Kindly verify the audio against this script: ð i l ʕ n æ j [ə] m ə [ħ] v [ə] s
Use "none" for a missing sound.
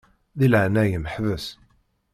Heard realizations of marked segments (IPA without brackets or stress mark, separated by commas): ə, ħ, ə